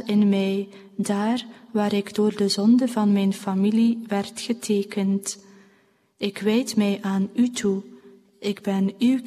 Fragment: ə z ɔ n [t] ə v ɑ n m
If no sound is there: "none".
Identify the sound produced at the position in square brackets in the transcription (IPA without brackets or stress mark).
d